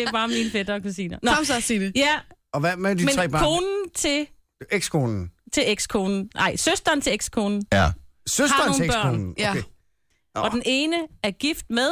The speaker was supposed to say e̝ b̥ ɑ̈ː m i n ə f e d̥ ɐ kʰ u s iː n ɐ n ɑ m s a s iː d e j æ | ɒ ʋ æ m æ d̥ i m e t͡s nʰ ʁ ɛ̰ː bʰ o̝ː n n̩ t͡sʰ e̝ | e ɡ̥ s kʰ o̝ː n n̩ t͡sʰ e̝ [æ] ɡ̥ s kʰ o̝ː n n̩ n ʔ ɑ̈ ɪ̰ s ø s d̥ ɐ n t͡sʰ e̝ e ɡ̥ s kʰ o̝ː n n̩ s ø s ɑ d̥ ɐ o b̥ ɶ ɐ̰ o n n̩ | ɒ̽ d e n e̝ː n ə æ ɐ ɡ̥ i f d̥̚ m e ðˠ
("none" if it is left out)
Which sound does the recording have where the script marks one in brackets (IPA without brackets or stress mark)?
e